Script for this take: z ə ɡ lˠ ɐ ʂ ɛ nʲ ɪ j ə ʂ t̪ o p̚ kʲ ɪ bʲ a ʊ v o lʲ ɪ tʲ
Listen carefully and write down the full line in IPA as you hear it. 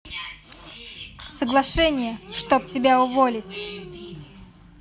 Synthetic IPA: s ə ɡ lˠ ɐ ʂ ɛ nʲ ɪ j ə ʂ t̪ o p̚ tʲ ɪ bʲ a ʊ v o lʲ ɪ tʲ